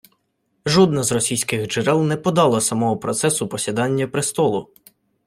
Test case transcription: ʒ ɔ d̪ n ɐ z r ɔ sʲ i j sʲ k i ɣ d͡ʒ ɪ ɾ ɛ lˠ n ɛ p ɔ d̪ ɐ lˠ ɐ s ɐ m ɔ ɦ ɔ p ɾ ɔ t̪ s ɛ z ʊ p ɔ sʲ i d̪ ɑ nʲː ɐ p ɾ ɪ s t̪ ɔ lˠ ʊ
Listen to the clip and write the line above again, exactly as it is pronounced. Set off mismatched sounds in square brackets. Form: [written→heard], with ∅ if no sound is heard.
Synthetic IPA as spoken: ʒ ɔ d̪ n ɐ z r ɔ sʲ i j sʲ k [i→ɪ] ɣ d͡ʒ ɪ ɾ ɛ lˠ n ɛ p ɔ d̪ [ɐ→ɑ] lˠ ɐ s ɐ m ɔ ɦ ɔ p ɾ ɔ t̪ s ɛ [z→s] ʊ p ɔ sʲ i d̪ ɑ nʲː ɐ p ɾ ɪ s t̪ ɔ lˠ ʊ